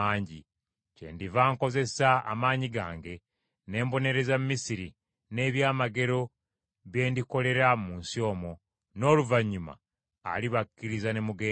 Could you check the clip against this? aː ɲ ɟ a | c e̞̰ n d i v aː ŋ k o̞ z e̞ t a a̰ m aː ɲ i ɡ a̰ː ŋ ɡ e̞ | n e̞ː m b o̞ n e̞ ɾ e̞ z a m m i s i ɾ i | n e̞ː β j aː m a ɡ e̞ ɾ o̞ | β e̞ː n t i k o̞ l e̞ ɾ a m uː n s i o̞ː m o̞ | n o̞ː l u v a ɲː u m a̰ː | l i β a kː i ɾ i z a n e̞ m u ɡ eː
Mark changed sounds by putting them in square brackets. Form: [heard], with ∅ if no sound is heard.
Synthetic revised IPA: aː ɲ ɟ [i] | c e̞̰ n d i v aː ŋ k o̞ z e̞ [s] a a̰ m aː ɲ i ɡ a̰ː ŋ ɡ e̞ | n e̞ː m b o̞ n e̞ ɾ e̞ z a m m i s i ɾ i | n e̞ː β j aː m a ɡ e̞ ɾ o̞ | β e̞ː n [d] i k o̞ l e̞ ɾ a m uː n s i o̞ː m o̞ | n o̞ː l u v a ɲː u m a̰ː | l i β a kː i ɾ i z a n e̞ m u ɡ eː